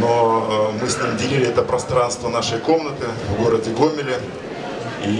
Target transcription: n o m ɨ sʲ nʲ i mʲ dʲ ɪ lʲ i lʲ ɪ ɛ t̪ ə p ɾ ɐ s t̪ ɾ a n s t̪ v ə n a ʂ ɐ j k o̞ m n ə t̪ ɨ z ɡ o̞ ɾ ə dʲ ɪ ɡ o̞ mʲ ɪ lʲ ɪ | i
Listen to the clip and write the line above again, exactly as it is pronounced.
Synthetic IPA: n o m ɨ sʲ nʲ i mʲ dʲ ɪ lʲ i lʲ ɪ ɛ t̪ ə p ɾ ɐ s t̪ ɾ a n s t̪ v ə n a ʂ ə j k o̞ m n ə t̪ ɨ v ɡ o̞ ɾ ə dʲ ɪ ɡ o̞ mʲ ɪ lʲ ɪ | i